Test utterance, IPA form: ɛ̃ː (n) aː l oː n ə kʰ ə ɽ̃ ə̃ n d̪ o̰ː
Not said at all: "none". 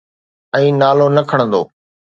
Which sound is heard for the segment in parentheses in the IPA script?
n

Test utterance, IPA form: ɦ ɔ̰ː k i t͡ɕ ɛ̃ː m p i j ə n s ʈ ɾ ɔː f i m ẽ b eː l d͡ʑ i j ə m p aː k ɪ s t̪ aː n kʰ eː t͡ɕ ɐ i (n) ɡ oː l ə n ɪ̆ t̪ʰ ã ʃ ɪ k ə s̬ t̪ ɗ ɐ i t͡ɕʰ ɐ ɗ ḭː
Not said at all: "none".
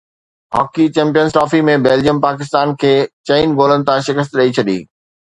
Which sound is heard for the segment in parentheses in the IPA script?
n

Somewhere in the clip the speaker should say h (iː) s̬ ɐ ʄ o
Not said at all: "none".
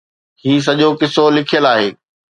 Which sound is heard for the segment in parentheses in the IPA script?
iː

